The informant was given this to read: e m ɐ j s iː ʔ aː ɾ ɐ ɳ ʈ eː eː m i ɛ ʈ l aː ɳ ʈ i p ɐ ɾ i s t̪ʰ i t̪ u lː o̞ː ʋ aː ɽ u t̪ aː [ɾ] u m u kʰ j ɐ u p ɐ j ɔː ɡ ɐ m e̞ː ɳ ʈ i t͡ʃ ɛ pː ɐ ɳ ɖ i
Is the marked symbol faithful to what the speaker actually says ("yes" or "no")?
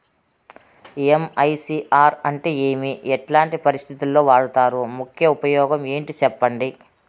yes